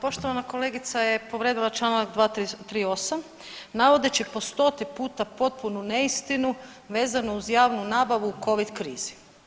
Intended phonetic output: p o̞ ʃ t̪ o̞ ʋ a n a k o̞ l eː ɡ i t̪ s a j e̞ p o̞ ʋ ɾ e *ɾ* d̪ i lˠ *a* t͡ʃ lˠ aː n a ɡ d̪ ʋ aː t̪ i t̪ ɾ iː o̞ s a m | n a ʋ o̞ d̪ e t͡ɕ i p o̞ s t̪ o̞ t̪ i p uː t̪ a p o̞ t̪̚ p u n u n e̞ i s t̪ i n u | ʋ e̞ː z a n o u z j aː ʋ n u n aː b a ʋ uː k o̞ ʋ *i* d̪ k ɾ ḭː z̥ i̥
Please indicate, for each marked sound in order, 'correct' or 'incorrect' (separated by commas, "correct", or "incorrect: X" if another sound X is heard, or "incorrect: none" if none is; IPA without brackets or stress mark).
incorrect: none, correct, correct